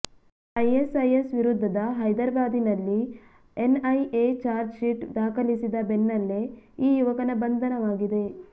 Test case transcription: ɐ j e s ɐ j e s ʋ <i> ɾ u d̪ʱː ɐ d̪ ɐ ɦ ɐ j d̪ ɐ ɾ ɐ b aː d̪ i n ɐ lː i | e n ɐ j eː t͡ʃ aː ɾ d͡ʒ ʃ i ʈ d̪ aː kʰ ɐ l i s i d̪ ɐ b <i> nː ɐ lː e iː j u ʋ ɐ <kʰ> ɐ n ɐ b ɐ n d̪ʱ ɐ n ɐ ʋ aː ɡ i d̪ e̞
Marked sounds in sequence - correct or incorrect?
correct, incorrect: e, incorrect: k

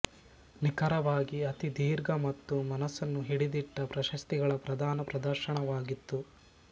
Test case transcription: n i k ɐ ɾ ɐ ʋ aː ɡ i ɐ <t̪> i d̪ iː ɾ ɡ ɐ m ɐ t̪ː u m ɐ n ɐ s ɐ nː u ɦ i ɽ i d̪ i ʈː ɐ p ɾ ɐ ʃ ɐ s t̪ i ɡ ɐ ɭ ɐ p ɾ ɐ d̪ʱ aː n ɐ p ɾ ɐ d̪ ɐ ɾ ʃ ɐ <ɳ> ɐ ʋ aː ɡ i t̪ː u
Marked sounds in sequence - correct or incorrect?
correct, correct

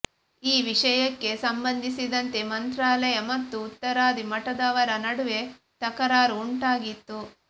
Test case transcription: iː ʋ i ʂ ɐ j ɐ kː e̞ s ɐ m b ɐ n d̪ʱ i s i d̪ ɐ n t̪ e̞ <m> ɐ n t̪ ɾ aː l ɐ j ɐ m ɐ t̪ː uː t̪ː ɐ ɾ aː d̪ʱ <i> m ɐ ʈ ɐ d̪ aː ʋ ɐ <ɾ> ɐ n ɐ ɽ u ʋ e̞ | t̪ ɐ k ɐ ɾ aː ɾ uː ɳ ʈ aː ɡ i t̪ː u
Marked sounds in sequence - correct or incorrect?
correct, correct, correct

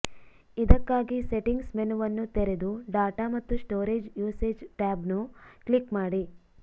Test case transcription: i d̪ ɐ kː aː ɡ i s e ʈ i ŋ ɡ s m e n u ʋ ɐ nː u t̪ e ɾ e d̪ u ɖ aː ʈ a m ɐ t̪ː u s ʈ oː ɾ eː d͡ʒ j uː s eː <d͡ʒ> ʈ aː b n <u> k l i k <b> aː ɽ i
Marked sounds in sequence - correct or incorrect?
correct, correct, incorrect: m

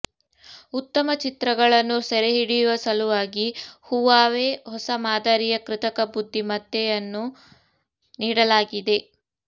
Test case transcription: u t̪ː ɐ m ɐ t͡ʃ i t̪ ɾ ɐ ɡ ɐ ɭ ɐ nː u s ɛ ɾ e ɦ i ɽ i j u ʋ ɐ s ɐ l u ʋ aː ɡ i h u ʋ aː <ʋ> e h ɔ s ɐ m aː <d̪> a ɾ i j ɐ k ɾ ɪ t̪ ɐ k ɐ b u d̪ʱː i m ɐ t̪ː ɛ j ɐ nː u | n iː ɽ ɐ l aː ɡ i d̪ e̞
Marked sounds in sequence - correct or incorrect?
correct, correct

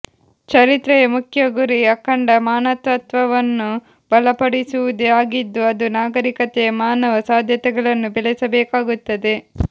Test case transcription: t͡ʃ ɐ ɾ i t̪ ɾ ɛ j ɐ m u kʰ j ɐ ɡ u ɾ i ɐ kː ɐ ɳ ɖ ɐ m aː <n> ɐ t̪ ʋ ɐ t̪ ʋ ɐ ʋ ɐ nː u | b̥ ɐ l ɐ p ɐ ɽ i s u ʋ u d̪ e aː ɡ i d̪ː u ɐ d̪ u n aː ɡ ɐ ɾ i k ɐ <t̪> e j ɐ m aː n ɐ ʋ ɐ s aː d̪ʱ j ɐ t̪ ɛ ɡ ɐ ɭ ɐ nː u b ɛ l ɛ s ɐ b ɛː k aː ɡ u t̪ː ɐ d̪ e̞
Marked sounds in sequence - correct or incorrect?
correct, correct

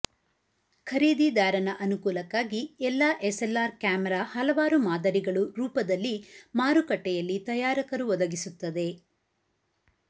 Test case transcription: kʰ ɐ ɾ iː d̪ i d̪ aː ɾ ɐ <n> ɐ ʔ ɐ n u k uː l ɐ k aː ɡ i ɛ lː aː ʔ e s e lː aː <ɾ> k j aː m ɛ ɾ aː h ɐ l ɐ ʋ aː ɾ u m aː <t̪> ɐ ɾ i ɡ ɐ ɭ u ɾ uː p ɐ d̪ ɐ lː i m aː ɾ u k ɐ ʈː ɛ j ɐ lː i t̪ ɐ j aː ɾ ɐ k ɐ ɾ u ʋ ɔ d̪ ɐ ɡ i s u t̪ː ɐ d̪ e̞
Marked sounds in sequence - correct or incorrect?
correct, correct, incorrect: d̪

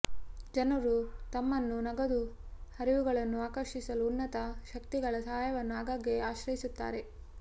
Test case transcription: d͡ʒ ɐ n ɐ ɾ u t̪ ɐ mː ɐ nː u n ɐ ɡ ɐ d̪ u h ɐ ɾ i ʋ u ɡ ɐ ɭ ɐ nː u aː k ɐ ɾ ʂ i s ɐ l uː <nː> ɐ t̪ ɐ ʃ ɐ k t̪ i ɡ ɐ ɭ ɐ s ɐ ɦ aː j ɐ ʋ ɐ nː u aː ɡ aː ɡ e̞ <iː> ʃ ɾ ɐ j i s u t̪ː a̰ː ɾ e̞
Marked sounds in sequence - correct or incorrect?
correct, incorrect: aː

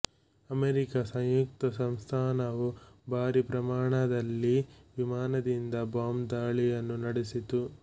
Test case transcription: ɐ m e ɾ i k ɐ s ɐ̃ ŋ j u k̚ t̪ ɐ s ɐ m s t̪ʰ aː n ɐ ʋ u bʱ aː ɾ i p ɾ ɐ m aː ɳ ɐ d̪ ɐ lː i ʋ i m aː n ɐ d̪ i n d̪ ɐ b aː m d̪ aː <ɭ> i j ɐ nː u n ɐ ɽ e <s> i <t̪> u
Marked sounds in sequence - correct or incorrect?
correct, correct, correct

